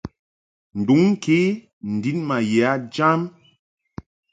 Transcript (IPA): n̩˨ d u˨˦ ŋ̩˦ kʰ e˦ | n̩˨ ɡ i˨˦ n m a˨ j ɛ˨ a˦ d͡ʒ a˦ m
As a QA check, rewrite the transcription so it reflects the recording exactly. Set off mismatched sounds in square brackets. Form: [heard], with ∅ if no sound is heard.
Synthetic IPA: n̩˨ d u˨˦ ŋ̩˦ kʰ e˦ | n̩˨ [d] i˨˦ n m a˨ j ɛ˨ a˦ d͡ʒ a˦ m